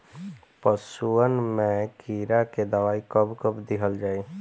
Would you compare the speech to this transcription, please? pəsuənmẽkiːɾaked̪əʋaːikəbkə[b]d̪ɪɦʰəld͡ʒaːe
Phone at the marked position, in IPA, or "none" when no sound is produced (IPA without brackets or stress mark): b